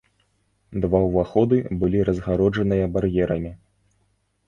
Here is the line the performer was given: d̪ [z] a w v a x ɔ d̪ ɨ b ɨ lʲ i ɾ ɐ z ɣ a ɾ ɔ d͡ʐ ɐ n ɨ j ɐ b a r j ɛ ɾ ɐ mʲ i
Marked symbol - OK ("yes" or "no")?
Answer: no